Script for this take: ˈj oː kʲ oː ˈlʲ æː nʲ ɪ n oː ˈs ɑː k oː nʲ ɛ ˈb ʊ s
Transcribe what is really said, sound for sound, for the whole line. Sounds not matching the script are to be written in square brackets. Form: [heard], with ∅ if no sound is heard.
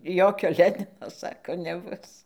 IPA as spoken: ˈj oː kʲ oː ˈlʲ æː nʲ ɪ n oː ˈs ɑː k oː nʲ ɛ ˈb ʊ s